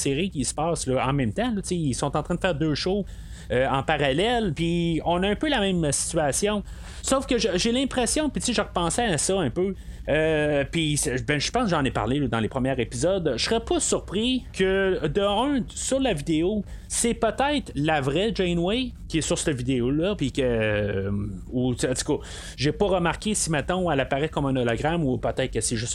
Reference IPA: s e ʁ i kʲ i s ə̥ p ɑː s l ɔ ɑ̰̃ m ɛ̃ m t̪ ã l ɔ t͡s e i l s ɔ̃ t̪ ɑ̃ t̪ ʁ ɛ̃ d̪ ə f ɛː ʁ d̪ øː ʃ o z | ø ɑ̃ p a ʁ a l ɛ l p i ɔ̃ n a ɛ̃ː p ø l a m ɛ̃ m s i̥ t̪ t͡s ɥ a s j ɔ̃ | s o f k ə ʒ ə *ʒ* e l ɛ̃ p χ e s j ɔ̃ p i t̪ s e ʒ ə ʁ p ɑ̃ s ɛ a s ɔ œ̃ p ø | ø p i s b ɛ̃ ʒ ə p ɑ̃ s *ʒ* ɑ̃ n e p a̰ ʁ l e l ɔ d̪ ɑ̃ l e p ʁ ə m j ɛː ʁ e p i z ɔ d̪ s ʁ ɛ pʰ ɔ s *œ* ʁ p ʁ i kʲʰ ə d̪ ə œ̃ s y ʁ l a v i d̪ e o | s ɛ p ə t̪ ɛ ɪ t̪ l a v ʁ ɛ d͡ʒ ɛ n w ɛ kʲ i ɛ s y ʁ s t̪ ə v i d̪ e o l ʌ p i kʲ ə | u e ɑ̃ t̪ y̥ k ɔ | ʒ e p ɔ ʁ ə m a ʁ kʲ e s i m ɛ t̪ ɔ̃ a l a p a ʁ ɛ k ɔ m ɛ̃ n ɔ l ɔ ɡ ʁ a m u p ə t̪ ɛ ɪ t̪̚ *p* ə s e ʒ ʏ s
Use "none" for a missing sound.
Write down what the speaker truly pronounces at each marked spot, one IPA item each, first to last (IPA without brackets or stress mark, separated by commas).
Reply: ʒ, ʒ, y, k